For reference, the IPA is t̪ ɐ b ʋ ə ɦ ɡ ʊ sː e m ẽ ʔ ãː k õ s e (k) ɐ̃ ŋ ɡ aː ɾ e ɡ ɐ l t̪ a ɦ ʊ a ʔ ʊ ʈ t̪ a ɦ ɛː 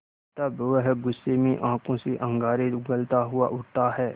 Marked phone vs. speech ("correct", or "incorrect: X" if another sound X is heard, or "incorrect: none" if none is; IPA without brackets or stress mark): incorrect: ʔ